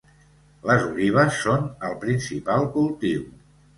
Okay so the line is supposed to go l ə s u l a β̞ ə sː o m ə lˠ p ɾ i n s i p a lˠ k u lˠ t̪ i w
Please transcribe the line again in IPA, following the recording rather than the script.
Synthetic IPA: l ə z u l i β̞ ə sː o n ə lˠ p ɾ i n s i p a lˠ k u lˠ t̪ i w